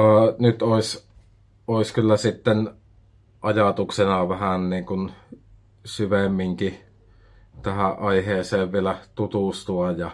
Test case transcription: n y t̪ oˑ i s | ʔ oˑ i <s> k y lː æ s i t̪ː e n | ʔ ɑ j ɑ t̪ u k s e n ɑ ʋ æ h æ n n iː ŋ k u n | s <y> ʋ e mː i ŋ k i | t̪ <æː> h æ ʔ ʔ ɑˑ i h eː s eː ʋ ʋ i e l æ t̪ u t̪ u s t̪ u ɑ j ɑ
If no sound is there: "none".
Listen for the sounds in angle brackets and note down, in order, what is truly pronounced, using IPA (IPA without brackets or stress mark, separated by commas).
s, y, æ